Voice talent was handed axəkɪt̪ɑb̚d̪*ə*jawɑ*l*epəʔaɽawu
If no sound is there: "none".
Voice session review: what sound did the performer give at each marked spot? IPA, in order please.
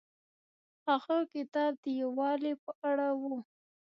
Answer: ə, l

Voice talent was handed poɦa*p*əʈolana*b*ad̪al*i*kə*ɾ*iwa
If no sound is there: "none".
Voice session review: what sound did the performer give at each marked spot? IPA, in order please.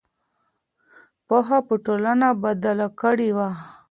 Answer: p, b, a, ɽ

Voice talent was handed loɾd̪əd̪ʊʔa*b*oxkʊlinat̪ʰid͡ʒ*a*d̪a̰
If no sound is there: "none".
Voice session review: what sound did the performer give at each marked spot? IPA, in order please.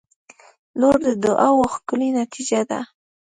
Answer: w, a

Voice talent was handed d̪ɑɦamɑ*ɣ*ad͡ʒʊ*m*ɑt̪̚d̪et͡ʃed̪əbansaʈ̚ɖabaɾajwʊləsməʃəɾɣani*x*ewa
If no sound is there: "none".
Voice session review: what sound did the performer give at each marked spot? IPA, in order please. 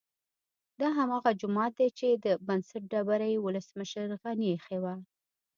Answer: ɣ, m, x

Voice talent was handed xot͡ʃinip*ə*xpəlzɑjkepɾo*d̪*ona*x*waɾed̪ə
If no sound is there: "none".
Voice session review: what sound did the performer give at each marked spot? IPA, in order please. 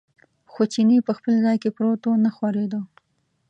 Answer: ə, t̪, x

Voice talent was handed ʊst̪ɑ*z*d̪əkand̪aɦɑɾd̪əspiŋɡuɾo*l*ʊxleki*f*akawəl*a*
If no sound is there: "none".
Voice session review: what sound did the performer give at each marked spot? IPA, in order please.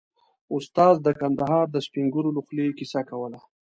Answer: z, l, s, a

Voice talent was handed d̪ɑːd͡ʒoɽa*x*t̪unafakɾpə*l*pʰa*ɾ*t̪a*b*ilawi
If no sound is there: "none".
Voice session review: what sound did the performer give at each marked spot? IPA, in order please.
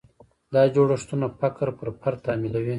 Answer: ʂ, ɾ, ɾ, m

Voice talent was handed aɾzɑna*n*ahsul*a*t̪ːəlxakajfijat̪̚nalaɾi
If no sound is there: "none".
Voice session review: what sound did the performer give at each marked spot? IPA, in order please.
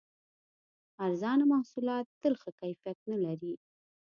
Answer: m, ɑ

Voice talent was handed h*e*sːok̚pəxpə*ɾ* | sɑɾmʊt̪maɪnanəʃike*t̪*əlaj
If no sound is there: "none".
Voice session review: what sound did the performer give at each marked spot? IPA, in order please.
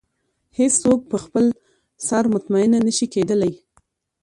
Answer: e, l, d̪

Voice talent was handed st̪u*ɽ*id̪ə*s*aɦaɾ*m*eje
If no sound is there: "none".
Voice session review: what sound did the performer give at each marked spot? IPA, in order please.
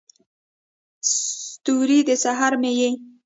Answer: ɾ, s, m

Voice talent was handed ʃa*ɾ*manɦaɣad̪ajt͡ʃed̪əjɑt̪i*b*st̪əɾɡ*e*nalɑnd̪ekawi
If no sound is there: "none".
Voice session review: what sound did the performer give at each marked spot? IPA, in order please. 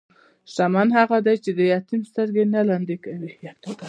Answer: none, m, e

